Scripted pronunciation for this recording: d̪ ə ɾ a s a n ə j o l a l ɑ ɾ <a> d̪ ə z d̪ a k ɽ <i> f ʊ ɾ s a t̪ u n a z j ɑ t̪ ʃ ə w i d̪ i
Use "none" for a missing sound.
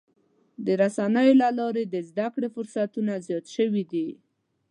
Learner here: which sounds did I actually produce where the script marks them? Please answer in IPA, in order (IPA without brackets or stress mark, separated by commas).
e, e